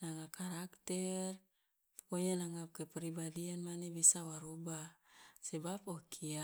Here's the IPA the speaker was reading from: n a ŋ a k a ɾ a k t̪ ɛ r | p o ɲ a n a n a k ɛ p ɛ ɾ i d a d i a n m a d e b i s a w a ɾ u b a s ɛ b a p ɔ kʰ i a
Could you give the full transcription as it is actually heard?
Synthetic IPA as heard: n a ŋ a k a ɾ a k t̪ ɛ r | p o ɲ a n a ŋ a k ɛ p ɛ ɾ i b a d i a n m a n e b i s a w a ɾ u b a s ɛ b a p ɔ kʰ i a